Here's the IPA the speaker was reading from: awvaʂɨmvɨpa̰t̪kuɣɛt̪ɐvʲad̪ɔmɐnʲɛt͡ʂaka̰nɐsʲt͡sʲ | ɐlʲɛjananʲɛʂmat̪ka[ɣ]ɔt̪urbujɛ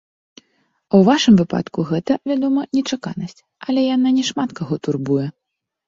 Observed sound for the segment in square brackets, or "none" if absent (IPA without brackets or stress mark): ɣ